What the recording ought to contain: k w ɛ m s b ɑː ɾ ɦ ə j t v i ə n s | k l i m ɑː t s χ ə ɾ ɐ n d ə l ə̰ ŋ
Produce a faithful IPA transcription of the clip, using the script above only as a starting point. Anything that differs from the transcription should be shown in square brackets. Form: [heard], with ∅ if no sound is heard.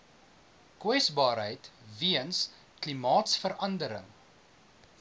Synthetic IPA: k w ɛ [∅] s b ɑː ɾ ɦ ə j t v i ə n s | k l i m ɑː t s [f] ə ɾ ɐ n d ə [ɾ] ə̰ ŋ